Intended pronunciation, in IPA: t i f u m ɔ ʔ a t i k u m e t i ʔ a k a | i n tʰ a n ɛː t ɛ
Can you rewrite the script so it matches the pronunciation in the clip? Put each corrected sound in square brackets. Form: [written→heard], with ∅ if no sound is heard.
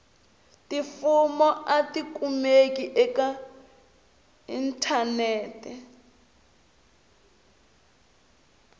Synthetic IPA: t i f u m ɔ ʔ a t i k u m e [t→k] i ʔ [a→ɛ] k a | i n tʰ a n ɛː t ɛ